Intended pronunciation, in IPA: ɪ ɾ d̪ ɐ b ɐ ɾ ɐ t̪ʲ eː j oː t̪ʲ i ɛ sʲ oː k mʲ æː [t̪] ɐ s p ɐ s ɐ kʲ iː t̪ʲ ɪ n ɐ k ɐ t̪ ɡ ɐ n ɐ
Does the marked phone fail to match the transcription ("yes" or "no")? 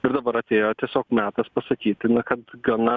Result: no